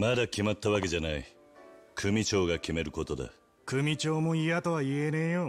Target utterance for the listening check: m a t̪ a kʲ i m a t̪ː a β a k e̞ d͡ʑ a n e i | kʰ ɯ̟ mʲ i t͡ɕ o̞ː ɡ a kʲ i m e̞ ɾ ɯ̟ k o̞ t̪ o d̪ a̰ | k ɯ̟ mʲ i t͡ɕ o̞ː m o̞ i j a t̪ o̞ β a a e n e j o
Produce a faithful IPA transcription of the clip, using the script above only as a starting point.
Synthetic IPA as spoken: m a d̪ a kʲ i m a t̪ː a β a k e̞ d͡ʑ a n a i | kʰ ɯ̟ mʲ i t͡ɕ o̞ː ɡ a kʲ i m e̞ ɾ ɯ̟ k o̞ t̪ o d̪ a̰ | k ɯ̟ mʲ i t͡ɕ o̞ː m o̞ i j a t̪ o̞ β a i e n e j o